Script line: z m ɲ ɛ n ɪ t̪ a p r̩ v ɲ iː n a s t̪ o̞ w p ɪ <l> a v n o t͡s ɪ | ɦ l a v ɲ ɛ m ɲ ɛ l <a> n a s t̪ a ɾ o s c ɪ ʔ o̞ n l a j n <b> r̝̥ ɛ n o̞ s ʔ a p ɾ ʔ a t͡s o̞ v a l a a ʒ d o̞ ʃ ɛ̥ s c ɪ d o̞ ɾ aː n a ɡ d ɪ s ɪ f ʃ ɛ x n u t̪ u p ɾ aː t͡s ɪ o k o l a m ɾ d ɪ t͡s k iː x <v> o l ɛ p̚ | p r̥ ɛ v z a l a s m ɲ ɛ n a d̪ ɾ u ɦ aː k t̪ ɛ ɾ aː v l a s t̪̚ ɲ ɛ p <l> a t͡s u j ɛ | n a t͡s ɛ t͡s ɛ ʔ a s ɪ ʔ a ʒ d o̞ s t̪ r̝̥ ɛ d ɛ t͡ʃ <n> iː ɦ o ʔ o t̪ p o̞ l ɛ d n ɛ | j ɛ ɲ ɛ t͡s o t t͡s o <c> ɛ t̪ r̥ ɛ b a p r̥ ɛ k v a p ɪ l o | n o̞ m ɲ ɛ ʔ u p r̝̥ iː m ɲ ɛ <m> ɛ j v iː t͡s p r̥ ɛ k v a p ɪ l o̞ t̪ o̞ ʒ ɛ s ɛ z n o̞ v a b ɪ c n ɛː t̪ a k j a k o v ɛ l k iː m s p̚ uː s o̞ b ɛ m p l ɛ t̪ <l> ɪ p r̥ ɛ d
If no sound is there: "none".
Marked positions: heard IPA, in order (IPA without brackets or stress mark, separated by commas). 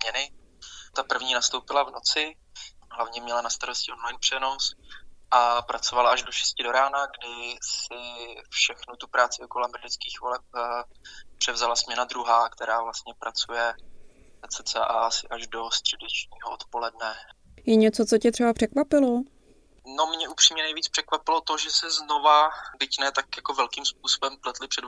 l, a, p, v, ɾ, ɲ, c, n, l